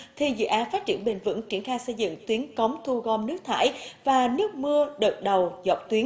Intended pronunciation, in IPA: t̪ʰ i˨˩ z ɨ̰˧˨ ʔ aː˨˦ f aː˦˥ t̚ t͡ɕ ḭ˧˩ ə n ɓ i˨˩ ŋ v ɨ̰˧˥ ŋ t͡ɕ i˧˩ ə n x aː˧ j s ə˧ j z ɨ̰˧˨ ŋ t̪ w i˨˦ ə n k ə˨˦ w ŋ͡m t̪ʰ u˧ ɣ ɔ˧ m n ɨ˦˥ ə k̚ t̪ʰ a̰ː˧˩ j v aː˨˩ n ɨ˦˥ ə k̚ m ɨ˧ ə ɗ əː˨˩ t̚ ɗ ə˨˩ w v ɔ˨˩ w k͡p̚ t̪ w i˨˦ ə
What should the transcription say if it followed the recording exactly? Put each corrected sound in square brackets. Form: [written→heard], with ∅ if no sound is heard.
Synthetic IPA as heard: t̪ʰ i˨˩ z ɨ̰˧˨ ʔ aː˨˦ f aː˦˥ t̚ t͡ɕ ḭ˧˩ ə n ɓ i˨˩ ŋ v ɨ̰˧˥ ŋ t͡ɕ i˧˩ ə n x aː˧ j s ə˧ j z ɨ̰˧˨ ŋ t̪ w i˨˦ ə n k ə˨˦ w ŋ͡m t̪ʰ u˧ ɣ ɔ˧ m n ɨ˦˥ ə k̚ t̪ʰ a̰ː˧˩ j v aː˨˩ n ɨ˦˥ ə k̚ m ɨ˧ ə ɗ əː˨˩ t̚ ɗ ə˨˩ w [v→z] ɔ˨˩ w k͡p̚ t̪ w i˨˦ ə